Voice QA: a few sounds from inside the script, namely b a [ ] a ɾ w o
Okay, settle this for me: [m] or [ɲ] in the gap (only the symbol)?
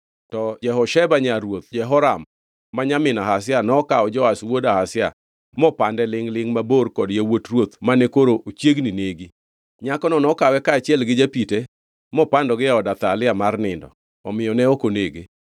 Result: ɲ